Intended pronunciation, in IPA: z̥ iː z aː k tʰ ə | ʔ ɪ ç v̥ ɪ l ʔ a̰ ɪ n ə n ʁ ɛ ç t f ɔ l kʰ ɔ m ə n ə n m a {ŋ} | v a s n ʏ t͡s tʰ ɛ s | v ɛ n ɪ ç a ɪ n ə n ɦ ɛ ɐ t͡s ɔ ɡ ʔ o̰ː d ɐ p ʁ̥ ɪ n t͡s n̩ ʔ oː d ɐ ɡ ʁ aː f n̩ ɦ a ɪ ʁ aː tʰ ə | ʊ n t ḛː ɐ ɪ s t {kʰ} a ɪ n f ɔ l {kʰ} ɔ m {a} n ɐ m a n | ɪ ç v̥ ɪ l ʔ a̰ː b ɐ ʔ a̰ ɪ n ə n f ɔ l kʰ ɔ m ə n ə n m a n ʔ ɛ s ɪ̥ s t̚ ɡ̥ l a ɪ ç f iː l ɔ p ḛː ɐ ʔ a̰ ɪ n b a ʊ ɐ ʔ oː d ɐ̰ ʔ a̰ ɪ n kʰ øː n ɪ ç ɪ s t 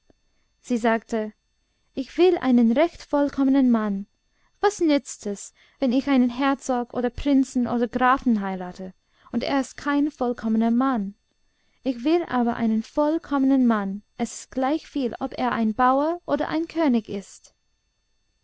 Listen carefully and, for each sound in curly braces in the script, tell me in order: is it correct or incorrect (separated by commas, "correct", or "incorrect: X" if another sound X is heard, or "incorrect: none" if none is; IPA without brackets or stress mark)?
incorrect: n, correct, correct, incorrect: ə